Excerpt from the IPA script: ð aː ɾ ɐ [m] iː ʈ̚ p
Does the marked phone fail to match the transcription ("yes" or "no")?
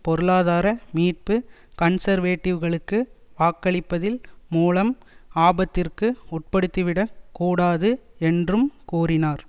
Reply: no